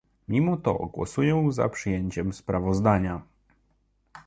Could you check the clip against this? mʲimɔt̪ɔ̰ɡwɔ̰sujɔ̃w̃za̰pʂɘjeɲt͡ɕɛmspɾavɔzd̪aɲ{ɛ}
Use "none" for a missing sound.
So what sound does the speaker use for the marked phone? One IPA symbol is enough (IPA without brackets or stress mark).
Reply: a